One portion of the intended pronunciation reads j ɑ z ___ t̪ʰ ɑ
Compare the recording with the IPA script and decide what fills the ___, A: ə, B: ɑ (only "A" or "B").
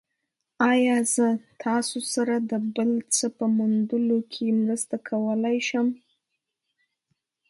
A